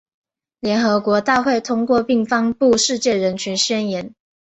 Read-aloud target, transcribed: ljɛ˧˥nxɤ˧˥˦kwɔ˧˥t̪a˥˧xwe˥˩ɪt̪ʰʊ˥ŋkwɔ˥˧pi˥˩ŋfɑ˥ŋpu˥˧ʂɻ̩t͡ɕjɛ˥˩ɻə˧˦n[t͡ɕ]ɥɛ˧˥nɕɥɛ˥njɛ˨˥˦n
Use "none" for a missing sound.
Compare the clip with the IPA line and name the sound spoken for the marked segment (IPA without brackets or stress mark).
t͡ɕʰ